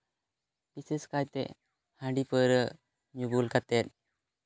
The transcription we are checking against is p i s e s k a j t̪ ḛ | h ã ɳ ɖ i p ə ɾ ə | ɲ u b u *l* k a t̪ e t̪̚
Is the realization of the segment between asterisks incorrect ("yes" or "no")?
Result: no